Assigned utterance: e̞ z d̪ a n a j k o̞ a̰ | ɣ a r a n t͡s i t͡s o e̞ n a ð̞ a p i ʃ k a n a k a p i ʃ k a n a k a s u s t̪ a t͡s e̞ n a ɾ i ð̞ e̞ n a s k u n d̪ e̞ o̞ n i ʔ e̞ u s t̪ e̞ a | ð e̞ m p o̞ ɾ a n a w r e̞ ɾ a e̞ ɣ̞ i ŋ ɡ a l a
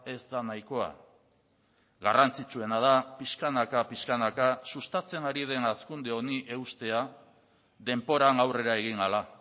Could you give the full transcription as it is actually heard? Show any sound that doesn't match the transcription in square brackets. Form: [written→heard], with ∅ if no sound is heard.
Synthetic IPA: e̞ z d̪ a n a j k o̞ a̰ | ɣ a r a n t͡s i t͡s [o→u] e̞ n a ð̞ a p i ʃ k a n a k a p i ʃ k a n a k a s u s t̪ a t͡s e̞ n a ɾ i ð̞ e̞ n a s k u n d̪ e̞ o̞ n i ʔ e̞ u s t̪ e̞ a | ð e̞ m p o̞ ɾ a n a w r e̞ ɾ a e̞ ɣ̞ i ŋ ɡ a l a